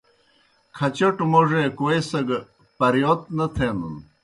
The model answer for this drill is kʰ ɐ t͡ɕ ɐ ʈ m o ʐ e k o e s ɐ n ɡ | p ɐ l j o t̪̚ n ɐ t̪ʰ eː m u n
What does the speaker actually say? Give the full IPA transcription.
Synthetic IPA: kʰ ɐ t͡ɕ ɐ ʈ m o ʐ e k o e s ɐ ɡ | p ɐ ɾ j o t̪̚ n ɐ t̪ʰ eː n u n